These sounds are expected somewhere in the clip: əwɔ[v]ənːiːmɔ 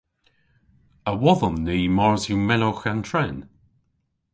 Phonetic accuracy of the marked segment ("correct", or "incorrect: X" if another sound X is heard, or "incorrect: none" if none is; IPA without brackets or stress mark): incorrect: ð